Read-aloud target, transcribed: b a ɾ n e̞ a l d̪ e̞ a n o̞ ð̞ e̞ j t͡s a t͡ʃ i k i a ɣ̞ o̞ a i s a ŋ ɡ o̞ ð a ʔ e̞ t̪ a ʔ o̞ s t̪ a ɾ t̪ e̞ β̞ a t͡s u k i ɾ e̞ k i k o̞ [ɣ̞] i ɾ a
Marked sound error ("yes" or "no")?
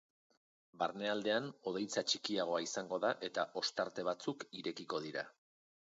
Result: yes